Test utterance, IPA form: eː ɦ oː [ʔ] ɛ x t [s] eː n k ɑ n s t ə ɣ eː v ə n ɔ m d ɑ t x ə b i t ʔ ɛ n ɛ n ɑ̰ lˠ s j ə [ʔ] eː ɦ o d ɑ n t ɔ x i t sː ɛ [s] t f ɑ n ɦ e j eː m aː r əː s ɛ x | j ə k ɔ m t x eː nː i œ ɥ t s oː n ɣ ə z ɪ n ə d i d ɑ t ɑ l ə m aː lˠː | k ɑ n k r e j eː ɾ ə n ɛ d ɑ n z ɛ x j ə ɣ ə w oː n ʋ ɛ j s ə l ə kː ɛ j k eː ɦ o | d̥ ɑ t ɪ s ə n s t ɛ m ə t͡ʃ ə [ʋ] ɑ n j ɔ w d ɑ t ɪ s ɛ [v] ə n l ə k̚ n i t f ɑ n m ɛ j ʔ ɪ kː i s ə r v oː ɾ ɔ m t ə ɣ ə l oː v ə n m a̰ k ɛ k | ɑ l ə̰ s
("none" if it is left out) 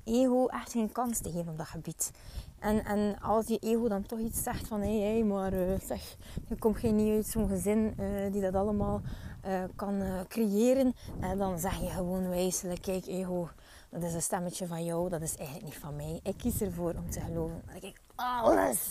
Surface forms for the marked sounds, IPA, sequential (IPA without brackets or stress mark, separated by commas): ʔ, x, ʔ, x, v, ɣ